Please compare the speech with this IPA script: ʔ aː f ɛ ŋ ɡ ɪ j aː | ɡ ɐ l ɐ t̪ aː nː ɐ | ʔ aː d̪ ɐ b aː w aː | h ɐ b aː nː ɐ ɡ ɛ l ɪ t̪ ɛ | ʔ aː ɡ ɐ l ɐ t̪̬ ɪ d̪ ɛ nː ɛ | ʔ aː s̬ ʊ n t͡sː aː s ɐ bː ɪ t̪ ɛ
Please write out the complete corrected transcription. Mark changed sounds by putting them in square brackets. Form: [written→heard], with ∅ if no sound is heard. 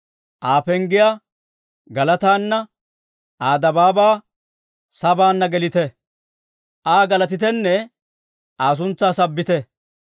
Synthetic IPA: ʔ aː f ɛ ŋ ɡ ɪ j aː | ɡ ɐ l ɐ t̪ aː nː ɐ | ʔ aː d̪ ɐ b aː [w→b] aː | [h→s] ɐ b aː nː ɐ ɡ ɛ l ɪ t̪ ɛ | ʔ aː ɡ ɐ l ɐ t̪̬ ɪ [d̪→t̪] ɛ nː ɛ | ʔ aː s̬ ʊ n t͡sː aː s ɐ bː ɪ t̪ ɛ